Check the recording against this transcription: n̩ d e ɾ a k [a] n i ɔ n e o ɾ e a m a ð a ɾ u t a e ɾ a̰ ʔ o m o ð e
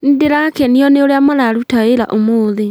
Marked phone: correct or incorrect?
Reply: incorrect